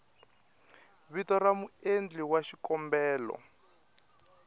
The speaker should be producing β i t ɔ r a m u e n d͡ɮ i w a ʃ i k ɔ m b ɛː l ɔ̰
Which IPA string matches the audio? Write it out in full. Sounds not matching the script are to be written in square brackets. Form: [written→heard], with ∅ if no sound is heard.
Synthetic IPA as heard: β i t ɔ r a m u e n d͡ɮ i w a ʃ i k ɔ m b ɛː l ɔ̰